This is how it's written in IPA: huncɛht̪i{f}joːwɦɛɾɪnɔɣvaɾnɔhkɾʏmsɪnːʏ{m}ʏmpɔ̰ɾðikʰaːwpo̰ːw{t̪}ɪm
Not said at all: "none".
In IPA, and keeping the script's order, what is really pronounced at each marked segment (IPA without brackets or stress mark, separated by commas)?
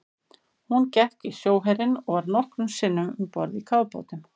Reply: s, m, t̪